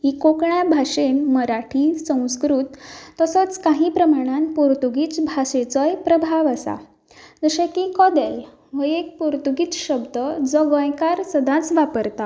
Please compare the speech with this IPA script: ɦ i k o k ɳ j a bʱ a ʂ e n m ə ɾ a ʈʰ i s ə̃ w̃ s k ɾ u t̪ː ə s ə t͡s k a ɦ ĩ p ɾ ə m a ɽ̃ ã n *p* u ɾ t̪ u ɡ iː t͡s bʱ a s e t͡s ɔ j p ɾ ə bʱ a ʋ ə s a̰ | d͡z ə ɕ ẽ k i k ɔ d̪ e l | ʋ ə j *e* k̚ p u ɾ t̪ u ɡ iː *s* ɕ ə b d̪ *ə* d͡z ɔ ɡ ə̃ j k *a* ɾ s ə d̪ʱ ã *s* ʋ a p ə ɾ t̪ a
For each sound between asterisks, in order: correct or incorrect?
correct, correct, incorrect: t͡s, correct, correct, incorrect: t͡s

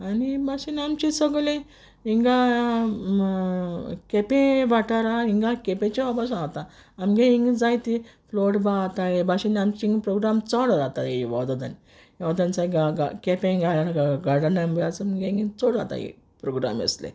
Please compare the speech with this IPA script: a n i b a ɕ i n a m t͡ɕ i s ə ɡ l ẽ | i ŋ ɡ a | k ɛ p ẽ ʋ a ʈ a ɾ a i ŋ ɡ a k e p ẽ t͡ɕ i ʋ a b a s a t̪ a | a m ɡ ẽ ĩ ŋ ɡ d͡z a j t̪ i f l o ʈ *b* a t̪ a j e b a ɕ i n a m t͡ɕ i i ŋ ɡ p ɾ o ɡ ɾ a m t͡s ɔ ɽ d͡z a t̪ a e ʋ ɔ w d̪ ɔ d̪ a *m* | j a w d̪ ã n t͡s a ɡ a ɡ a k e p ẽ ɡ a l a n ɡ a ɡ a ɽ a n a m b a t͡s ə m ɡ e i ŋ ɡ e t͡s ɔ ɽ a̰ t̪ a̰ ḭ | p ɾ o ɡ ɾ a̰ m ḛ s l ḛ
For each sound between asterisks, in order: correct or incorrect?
correct, incorrect: n

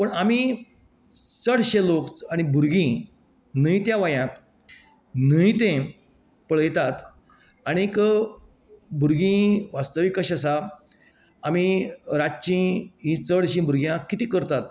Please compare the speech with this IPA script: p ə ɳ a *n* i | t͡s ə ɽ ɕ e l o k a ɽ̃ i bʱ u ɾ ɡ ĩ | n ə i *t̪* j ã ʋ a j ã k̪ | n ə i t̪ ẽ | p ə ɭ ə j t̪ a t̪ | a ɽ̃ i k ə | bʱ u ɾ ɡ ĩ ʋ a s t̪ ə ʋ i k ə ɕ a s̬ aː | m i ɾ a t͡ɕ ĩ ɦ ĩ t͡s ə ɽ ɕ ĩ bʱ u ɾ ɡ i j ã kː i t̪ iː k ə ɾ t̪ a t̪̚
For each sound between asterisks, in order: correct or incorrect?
incorrect: m, correct

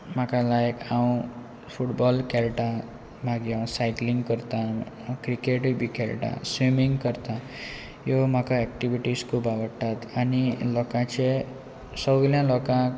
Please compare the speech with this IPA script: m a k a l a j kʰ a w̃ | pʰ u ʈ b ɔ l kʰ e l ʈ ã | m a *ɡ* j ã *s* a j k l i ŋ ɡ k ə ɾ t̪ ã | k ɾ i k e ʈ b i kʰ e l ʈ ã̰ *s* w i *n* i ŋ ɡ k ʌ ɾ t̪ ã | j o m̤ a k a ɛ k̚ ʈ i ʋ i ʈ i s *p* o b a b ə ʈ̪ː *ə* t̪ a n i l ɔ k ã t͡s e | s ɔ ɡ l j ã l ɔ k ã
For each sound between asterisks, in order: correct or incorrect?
correct, correct, correct, incorrect: m, incorrect: k, incorrect: a

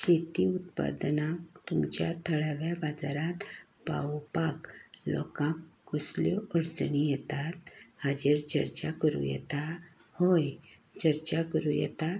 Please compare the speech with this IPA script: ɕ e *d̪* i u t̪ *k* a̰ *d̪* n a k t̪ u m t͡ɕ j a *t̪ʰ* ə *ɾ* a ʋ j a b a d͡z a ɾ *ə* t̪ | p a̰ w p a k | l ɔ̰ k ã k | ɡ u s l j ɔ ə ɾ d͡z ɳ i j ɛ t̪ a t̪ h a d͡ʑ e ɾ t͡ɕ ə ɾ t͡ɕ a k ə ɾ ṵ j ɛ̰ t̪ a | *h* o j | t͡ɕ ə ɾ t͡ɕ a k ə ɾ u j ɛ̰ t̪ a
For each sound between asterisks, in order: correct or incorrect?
incorrect: t̪, incorrect: p, correct, correct, incorrect: ɭ, incorrect: a, correct

